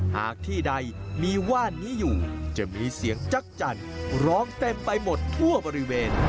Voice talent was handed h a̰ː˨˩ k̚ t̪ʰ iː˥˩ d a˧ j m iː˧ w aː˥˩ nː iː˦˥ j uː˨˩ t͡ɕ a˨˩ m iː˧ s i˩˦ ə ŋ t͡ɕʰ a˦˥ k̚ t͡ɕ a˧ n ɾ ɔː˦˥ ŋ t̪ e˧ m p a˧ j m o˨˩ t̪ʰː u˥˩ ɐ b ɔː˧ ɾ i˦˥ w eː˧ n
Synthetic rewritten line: h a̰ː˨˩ k̚ t̪ʰ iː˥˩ d a˧ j m iː˧ w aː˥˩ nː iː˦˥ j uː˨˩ t͡ɕ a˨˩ m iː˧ s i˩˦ ə ŋ t͡ɕ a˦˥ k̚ t͡ɕ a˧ n ɾ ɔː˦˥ ŋ t̪ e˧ m p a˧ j m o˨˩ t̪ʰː u˥˩ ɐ b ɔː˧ ɾ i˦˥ w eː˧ n

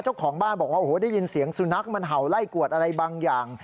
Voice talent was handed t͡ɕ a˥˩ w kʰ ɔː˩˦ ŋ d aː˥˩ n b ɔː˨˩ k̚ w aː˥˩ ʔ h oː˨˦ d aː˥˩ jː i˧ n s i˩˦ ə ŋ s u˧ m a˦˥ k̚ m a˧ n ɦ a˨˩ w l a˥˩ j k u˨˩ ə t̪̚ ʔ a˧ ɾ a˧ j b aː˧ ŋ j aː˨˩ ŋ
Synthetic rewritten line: t͡ɕ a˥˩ w kʰ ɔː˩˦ ŋ b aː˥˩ n b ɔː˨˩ k̚ w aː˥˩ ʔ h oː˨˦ d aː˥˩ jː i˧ n s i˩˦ ə ŋ s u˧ n a˦˥ k̚ m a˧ n ɦ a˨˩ w l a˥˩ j k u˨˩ ə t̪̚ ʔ a˧ ɾ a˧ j b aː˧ ŋ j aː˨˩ ŋ

